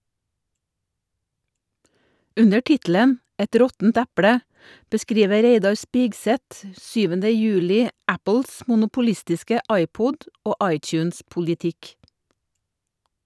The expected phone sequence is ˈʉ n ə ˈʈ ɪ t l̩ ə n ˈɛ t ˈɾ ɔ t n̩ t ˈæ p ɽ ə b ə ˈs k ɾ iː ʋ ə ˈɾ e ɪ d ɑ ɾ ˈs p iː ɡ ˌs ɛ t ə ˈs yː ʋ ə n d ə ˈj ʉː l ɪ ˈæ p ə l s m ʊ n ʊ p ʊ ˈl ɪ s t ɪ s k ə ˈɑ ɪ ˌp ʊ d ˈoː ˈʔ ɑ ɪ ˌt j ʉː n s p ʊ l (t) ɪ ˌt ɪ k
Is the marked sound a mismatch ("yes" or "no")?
yes